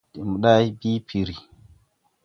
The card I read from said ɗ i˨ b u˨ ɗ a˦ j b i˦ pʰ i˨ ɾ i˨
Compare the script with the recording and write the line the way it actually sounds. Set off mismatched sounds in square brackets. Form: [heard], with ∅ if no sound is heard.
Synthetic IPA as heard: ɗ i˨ [m] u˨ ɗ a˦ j b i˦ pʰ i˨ ɾ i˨